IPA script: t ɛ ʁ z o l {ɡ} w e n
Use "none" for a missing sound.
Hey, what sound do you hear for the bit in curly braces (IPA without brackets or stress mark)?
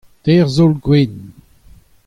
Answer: ɡ